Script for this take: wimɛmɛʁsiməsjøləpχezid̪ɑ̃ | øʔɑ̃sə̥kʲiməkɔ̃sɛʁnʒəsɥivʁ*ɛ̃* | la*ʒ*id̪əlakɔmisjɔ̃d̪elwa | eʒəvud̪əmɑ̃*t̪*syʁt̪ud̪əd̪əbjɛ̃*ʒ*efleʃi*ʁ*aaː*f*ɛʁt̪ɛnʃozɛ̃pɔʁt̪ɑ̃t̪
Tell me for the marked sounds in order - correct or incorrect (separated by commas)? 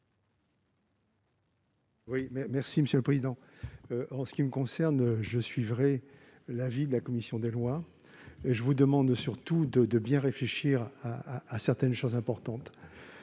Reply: incorrect, incorrect, incorrect, incorrect, correct, incorrect